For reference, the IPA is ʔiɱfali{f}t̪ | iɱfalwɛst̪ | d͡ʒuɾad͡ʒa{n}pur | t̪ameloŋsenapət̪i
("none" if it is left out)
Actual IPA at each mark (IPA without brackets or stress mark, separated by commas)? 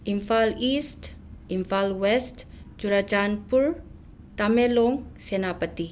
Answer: s, n